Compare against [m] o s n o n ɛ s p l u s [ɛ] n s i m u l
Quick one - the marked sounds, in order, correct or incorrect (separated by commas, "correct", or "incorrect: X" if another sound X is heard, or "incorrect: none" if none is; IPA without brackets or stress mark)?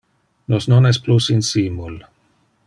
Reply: incorrect: n, incorrect: i